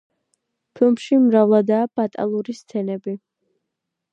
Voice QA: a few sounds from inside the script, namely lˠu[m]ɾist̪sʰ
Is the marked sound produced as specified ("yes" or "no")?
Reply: no